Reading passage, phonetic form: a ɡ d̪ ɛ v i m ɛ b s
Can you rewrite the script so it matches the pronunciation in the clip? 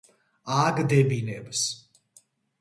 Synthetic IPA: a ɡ d̪ ɛ b i n ɛ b s